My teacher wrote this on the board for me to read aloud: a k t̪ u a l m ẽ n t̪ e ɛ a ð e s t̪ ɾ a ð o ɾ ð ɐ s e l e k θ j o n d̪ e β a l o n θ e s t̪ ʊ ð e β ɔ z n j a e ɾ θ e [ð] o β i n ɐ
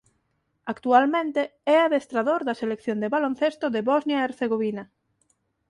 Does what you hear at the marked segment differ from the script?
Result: yes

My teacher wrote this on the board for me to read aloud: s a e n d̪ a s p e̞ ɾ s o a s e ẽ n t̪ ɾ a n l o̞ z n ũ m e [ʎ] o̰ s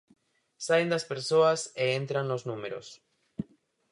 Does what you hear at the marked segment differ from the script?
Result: yes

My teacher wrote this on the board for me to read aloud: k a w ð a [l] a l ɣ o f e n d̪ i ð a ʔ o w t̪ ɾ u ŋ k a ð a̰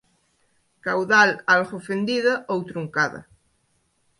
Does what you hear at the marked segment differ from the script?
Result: no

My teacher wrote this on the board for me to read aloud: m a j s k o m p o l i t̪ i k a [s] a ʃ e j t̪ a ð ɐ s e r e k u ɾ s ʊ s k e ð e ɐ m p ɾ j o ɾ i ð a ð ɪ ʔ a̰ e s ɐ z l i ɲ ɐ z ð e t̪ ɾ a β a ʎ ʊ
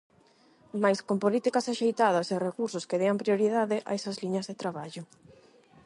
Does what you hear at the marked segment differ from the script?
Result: no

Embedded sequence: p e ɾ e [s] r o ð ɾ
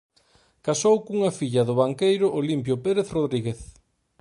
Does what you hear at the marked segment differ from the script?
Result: yes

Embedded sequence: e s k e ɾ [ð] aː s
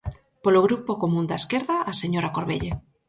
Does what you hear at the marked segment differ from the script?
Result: no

